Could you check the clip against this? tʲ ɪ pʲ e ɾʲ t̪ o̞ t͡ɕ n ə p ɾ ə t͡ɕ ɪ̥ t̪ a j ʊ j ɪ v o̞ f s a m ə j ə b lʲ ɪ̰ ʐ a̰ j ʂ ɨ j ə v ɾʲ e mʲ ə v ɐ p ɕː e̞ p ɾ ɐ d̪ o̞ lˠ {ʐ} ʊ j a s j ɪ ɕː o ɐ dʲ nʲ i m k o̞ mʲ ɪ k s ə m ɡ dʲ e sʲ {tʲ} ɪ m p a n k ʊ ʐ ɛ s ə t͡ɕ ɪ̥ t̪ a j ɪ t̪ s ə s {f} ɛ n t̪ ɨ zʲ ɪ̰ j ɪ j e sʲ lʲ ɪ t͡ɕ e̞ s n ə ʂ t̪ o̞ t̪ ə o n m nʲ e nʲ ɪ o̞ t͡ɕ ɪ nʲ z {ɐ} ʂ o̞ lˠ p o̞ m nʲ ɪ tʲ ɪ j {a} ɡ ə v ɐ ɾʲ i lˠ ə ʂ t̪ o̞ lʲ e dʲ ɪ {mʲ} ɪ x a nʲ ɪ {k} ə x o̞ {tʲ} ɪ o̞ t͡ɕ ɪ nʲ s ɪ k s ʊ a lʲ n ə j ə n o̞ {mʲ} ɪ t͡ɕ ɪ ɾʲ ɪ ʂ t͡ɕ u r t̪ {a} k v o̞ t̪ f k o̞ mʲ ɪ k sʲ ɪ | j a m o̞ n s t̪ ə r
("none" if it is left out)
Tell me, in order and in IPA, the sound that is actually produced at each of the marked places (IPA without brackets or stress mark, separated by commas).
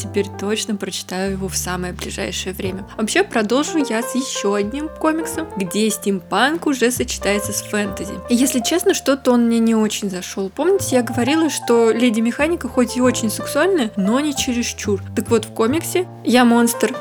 ʐ, tʲ, f, ɐ, a, mʲ, k, tʲ, nʲ, ə